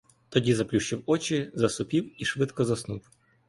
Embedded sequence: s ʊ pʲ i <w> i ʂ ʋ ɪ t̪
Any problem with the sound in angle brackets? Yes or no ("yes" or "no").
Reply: no